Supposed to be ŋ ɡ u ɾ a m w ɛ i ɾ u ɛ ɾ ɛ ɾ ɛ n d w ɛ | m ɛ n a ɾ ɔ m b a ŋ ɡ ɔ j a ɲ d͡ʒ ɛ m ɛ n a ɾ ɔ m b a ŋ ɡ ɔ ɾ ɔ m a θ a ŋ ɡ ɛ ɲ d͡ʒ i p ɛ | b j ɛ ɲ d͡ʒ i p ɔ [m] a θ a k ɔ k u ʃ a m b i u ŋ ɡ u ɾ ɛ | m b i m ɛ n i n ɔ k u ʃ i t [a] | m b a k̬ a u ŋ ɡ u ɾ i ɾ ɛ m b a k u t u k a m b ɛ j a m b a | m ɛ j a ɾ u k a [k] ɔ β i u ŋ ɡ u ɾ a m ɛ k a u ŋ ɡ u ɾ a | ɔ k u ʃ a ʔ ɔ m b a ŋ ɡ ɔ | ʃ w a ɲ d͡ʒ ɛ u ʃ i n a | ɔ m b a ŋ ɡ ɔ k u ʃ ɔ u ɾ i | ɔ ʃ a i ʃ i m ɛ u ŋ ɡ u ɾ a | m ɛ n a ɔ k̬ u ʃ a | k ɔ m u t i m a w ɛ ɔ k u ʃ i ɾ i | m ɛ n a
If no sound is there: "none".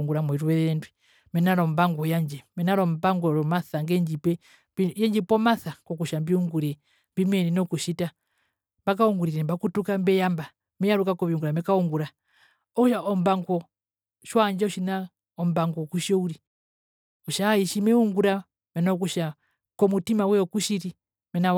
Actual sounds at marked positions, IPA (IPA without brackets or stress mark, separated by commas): m, a, k